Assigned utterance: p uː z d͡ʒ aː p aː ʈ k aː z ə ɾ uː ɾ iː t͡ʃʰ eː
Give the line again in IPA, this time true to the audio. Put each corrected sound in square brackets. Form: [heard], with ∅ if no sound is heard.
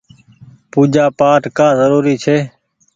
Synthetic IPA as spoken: p uː [∅] d͡ʒ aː p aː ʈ k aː z ə ɾ uː ɾ iː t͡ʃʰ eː